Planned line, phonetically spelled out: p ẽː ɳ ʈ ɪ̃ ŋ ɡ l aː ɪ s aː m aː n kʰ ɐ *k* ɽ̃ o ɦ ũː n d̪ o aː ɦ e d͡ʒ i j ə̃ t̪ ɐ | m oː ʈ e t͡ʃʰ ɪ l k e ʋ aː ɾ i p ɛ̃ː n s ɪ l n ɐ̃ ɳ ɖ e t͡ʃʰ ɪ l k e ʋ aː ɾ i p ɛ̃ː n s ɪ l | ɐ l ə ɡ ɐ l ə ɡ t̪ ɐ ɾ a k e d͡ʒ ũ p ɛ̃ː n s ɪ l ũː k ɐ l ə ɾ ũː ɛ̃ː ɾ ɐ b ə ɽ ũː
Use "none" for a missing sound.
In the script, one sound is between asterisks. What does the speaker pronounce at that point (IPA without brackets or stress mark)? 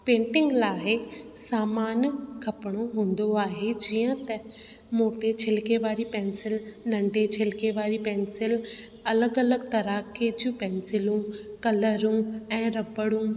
p